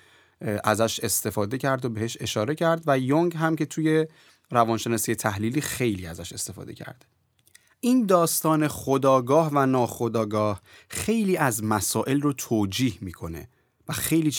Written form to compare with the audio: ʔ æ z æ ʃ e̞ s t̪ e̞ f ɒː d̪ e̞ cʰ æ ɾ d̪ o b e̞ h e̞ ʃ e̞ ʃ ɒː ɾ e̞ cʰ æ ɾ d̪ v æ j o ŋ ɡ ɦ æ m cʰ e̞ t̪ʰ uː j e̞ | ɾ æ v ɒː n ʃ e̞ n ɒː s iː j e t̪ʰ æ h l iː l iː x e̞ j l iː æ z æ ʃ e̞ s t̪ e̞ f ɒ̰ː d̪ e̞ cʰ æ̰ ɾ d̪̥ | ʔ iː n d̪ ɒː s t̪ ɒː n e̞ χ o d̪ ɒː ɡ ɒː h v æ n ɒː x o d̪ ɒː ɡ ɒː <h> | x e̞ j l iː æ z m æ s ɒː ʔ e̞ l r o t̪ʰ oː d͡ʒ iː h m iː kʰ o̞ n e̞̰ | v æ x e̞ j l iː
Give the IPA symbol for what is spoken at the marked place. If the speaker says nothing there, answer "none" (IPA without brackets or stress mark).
h